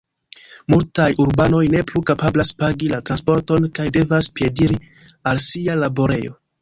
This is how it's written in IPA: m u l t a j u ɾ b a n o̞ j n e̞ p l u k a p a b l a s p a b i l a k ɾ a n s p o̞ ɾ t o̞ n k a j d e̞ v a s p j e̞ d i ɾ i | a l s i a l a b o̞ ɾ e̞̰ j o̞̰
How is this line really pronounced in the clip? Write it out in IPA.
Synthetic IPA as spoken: m u l t a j u ɾ b a n o̞ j n e̞ p l u k a p a b l a s p a ɡ i l a t ɾ a n s p o̞ ɾ t o̞ n k a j d e̞ v a s p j e̞ d i ɾ i | a l s i a l a b o̞ ɾ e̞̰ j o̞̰